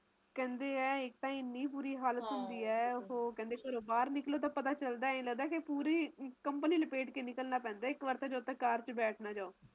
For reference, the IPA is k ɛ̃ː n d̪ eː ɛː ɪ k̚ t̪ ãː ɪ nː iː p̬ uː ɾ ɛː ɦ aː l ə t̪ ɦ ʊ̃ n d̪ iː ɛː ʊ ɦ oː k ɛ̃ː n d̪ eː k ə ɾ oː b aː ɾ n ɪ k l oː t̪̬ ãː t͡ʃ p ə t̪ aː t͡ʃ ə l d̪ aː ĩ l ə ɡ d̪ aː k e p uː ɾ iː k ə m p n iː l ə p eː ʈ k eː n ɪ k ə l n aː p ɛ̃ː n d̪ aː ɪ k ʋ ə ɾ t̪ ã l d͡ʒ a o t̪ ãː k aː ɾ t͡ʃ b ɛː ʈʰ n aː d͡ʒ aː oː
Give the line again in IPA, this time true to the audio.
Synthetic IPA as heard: k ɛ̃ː n d̪ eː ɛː ɪ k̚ t̪ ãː ɪ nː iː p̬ uː ɾ iː ɦ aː l ə t̪ ɦ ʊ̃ n d̪ iː ɛː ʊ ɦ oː k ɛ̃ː n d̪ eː k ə ɾ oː b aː ɾ n ɪ k l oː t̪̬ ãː p ə t̪ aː t͡ʃ ə l d̪ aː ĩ l ə ɡ d̪ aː k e p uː ɾ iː k ə m p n iː l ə p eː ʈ k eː n ɪ k ə l n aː p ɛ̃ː n d̪ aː ɪ k ʋ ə ɾ t̪ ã d͡ʒ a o t̪ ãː k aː ɾ t͡ʃ b ɛː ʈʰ n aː d͡ʒ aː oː